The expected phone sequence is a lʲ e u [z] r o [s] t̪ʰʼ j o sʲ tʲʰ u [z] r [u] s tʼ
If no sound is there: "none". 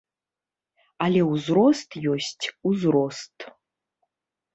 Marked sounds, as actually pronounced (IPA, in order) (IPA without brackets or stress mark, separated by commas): z, s, z, o